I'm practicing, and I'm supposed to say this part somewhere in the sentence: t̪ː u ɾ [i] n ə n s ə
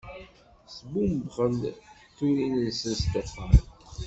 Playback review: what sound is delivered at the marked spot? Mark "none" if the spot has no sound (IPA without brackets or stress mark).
i